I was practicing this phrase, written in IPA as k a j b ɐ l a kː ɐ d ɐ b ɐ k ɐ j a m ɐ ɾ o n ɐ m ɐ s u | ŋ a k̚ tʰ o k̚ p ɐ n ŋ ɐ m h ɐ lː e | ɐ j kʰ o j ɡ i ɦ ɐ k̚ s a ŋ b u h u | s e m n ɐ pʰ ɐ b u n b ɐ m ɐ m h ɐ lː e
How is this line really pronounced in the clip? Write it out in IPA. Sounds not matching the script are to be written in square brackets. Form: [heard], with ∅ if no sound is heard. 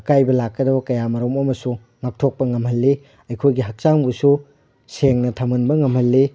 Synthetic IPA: k a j b ɐ l a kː ɐ d ɐ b ɐ k ɐ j a m ɐ ɾ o [m] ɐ m ɐ s u | ŋ a k̚ tʰ o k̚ p ɐ [∅] ŋ ɐ m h ɐ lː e | ɐ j kʰ o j ɡ i ɦ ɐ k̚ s a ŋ b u [s] u | s e [ŋ] n ɐ [tʰ] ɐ [m] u n b ɐ [ŋ] ɐ m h ɐ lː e